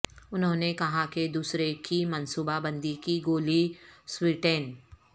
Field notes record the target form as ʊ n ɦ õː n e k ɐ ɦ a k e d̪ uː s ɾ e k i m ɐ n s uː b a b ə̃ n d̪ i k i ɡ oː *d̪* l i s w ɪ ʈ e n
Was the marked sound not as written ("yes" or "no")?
yes